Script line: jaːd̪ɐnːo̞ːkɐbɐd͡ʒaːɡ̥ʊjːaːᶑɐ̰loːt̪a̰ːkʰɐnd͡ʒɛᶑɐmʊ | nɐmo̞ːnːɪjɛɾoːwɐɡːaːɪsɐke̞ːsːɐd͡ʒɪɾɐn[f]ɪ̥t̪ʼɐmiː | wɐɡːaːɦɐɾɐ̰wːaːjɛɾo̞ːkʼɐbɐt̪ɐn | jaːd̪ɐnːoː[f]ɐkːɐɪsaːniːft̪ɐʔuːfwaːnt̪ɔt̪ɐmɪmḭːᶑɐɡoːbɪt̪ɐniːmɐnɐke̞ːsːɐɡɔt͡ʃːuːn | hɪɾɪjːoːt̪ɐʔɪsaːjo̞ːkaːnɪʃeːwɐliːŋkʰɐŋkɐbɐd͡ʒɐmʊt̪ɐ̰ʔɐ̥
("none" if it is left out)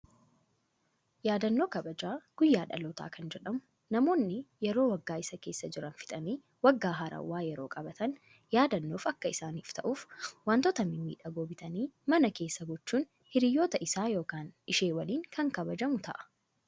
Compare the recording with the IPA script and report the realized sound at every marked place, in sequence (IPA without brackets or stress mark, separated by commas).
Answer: f, f